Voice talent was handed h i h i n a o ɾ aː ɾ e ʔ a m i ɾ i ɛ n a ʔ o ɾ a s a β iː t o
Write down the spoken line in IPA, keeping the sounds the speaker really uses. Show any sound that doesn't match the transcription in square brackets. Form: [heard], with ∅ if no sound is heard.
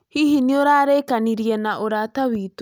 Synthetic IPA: h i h i n [i] o ɾ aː ɾ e [k] a [n] i ɾ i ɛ n a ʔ o ɾ a [t] a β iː t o